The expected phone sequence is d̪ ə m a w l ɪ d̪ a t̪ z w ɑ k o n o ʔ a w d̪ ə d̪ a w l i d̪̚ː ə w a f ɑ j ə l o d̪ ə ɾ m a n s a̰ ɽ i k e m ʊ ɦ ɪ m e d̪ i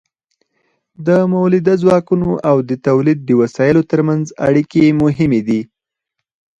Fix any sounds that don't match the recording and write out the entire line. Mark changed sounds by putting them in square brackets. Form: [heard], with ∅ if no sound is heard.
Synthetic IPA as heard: d̪ ə m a w l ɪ d̪ a [∅] z w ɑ k [u] n o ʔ a w d̪ ə [t̪] a w l i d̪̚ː ə w a [s] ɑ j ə l o [t̪] ə ɾ m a n [z] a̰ ɽ i k e m ʊ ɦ ɪ m e d̪ i